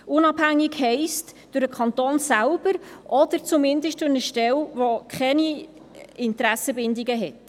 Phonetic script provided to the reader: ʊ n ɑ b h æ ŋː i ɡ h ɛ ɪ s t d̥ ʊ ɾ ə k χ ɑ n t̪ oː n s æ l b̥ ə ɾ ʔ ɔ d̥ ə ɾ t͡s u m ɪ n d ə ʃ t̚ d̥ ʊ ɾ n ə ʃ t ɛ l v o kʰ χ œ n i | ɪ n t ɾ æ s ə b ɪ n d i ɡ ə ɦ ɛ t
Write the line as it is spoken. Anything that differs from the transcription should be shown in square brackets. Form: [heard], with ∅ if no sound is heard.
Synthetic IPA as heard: ʊ n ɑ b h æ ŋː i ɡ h ɛ ɪ s t d̥ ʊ ɾ ə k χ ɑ n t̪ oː n s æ l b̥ ə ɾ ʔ ɔ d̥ ə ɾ t͡s u m ɪ n d ə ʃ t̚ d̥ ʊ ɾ n ə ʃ t ɛ l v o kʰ χ [ɛ] n i | ɪ n t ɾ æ s ə b ɪ n d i ɡ ə ɦ ɛ t